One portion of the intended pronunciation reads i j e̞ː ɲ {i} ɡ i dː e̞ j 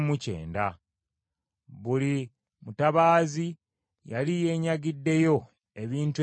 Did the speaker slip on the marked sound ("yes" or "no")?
yes